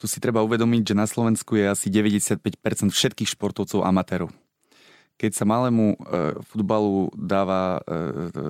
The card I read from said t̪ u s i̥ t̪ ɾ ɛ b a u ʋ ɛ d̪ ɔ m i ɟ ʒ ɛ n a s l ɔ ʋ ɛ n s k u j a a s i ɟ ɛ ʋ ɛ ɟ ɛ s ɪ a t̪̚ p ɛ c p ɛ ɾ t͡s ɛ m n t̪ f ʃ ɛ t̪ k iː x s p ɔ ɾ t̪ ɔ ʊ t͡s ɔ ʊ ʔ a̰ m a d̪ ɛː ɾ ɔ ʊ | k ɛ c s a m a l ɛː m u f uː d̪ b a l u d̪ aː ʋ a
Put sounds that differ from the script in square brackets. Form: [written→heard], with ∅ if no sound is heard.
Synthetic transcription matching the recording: t̪ u s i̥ t̪ ɾ ɛ b a u ʋ ɛ d̪ ɔ m i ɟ ʒ ɛ n a s l ɔ ʋ ɛ n s k u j [a→ɛ] a s i ɟ ɛ ʋ ɛ ɟ ɛ s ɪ a t̪̚ p ɛ c p ɛ ɾ t͡s ɛ [m→∅] n t̪ f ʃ ɛ t̪ k iː x [s→ʃ] p ɔ ɾ t̪ ɔ ʊ t͡s ɔ ʊ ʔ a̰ m a [d̪→t̪] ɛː ɾ ɔ ʊ | k ɛ c s a m a l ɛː m u f [uː→u] d̪ b a l u d̪ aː ʋ a